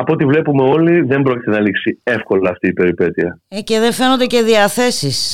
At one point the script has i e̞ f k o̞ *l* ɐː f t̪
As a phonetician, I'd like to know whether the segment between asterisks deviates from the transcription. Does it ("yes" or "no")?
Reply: no